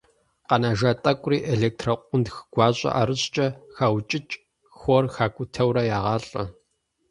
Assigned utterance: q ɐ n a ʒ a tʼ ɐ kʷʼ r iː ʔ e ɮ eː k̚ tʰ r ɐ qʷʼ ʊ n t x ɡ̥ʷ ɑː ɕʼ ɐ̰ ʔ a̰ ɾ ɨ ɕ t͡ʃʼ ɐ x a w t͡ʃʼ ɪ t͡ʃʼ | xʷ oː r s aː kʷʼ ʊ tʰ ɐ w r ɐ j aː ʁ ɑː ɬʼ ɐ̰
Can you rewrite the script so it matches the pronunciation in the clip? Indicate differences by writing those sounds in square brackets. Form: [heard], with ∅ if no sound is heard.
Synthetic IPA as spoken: q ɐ n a ʒ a tʼ ɐ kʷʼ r iː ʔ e ɮ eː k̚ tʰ r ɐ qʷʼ ʊ n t x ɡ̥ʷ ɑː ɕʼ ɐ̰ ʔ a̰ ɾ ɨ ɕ t͡ʃʼ ɐ x a w t͡ʃʼ ɪ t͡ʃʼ | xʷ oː r [x] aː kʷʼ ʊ tʰ ɐ w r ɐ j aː ʁ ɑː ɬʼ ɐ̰